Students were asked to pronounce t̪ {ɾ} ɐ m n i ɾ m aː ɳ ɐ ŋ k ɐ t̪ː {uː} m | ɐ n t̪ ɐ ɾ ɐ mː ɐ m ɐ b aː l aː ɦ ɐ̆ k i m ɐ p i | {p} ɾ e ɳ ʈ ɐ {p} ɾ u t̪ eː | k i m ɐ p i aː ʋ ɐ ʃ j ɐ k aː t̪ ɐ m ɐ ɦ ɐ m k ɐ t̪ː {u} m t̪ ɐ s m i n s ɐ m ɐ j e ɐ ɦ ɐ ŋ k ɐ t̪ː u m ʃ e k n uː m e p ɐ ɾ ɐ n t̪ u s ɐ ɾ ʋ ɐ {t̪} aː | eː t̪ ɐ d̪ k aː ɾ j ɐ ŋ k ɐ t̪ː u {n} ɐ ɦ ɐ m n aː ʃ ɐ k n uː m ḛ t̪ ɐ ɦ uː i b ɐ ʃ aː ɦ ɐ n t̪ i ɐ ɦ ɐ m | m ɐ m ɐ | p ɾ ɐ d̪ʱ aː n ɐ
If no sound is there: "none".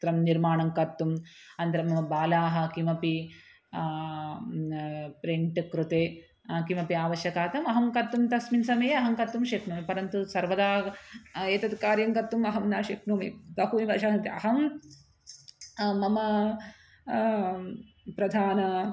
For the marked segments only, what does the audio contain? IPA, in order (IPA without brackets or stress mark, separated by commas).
ɾ, u, p, k, u, d̪, m